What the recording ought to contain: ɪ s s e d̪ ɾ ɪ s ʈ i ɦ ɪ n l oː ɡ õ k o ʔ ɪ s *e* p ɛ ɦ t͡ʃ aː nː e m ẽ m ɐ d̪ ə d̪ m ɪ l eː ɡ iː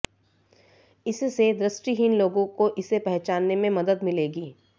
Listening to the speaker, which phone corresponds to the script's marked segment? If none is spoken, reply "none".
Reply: e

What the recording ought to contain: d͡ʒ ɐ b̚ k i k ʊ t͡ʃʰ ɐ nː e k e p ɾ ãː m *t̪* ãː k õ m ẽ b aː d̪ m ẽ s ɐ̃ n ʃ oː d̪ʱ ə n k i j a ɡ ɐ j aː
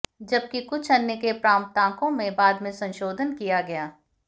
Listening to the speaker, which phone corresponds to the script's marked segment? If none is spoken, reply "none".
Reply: t̪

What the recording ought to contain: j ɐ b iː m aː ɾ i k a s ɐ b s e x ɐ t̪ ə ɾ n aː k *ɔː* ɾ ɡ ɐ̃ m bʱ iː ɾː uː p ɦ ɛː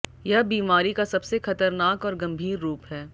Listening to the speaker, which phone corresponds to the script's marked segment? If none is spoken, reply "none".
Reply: ɔː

